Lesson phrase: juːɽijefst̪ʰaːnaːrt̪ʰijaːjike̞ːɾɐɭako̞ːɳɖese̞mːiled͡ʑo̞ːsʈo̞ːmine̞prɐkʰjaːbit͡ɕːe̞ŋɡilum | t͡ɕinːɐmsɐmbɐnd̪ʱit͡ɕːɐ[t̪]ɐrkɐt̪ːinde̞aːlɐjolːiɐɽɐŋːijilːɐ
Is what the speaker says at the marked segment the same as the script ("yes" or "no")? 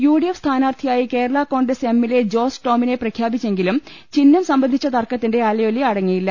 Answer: yes